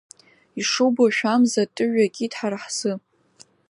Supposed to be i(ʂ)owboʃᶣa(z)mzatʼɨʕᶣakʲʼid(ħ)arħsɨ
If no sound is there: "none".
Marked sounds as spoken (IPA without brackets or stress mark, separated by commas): ʂ, none, ħ